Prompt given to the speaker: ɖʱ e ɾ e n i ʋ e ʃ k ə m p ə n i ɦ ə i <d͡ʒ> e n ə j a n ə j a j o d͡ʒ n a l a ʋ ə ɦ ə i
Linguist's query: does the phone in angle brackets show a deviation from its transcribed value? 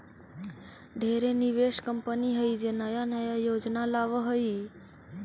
no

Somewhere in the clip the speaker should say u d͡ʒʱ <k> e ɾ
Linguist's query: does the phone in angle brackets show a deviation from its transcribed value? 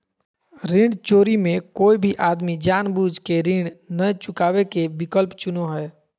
no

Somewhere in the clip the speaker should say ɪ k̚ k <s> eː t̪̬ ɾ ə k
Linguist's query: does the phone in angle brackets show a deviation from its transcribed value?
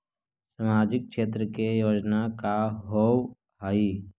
yes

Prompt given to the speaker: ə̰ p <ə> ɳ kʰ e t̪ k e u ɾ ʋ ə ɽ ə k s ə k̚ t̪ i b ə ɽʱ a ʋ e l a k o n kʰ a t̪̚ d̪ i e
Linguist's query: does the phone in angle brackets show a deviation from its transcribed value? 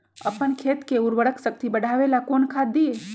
no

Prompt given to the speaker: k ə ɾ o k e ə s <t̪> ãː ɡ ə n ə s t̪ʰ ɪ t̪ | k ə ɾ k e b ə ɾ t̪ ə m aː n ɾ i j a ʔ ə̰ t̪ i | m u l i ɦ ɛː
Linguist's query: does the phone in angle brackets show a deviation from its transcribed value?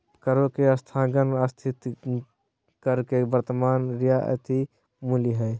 yes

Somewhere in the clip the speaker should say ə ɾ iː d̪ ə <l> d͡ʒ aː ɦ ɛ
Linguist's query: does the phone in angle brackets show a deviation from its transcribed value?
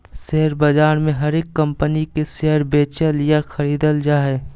no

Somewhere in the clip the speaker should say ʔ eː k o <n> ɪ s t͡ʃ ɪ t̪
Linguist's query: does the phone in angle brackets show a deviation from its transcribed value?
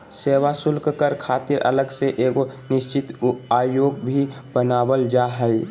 no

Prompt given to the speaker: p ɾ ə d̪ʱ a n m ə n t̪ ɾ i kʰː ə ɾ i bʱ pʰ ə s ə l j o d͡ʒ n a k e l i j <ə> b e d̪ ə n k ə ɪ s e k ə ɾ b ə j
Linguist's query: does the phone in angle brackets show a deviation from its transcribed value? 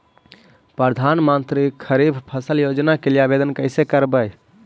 yes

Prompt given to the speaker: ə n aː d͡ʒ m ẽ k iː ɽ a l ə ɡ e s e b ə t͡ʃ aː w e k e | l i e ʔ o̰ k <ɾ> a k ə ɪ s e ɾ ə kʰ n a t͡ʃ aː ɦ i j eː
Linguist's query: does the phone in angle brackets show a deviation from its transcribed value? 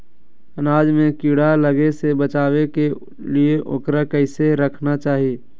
no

